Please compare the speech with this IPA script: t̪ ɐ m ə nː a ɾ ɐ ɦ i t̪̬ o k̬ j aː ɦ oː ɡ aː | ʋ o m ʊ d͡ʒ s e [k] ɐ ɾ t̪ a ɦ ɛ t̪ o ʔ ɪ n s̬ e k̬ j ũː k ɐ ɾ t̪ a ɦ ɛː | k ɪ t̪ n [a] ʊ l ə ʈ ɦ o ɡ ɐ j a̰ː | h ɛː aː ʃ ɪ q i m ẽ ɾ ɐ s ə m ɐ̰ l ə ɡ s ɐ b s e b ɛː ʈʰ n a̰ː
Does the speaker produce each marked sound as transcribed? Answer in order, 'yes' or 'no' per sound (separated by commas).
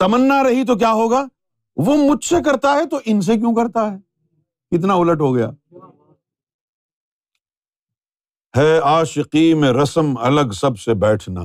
yes, yes